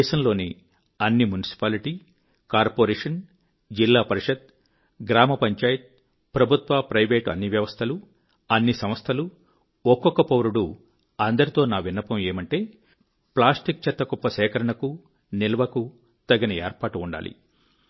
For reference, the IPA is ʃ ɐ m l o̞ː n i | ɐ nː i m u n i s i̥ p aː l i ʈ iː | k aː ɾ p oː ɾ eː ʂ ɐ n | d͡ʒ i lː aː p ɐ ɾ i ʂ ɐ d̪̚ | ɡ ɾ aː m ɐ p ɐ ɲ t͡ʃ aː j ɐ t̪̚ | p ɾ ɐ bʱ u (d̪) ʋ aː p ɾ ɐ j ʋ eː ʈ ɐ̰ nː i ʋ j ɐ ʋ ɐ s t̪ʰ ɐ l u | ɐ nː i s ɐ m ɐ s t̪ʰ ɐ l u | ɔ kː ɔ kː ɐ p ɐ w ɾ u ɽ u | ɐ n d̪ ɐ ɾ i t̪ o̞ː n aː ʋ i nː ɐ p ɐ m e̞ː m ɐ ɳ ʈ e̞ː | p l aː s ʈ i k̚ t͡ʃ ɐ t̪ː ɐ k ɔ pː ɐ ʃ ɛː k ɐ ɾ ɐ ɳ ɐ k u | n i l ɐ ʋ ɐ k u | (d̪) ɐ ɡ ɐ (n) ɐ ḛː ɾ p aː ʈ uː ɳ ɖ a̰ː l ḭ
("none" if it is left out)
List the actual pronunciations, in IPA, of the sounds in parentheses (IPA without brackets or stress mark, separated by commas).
t̪, t̪, n